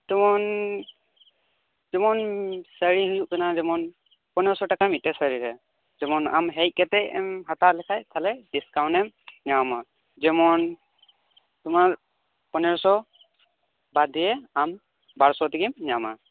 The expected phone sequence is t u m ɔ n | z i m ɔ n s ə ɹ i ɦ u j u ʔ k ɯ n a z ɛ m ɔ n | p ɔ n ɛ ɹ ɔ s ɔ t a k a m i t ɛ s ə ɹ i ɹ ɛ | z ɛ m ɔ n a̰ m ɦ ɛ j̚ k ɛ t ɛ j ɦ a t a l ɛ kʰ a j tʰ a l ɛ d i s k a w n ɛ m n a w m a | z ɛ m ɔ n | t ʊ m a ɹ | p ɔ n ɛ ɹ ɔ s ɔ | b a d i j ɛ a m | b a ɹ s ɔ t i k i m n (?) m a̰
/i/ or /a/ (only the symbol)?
a